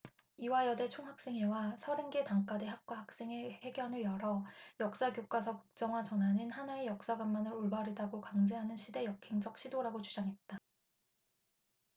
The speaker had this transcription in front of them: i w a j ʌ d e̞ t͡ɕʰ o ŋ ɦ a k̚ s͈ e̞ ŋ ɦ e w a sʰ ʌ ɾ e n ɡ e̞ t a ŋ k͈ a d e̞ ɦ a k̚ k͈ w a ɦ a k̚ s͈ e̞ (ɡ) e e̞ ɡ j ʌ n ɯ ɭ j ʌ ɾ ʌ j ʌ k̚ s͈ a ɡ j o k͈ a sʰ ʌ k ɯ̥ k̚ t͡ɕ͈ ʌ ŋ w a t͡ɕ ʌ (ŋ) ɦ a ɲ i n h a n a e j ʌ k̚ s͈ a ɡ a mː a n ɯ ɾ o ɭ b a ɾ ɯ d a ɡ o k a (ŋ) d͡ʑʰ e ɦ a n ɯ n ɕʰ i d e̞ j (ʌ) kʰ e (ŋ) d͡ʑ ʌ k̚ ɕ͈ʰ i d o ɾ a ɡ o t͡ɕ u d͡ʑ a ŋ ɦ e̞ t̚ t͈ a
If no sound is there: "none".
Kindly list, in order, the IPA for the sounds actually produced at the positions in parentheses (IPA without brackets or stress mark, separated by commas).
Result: ŋ, n, ŋ, ʌ, ŋ